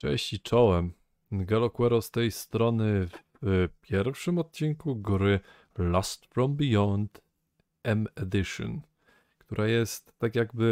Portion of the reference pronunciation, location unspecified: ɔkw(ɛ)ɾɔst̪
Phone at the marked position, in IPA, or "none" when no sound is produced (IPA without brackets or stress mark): ɛ